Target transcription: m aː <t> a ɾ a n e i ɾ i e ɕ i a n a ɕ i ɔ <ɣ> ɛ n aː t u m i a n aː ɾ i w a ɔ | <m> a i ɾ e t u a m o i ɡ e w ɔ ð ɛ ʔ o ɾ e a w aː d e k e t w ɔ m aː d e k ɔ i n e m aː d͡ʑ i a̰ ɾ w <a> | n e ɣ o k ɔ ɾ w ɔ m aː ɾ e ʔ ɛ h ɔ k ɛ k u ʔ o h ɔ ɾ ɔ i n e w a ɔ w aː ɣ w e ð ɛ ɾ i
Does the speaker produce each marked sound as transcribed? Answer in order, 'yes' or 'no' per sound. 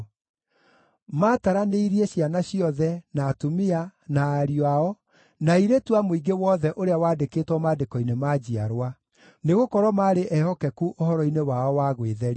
yes, no, no, yes

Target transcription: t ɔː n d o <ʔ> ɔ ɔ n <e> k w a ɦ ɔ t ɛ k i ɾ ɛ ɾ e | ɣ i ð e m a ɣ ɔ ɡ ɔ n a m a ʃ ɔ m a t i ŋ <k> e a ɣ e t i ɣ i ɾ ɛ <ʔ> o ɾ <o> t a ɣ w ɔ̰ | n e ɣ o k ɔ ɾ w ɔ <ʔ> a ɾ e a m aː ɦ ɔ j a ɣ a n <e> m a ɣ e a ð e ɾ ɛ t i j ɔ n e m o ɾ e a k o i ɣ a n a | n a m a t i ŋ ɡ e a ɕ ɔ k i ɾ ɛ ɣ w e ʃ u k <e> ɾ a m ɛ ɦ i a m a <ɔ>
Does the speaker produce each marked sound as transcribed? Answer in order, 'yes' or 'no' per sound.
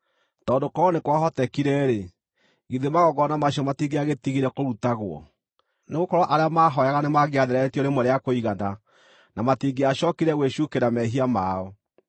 no, yes, no, no, no, yes, yes, yes, yes

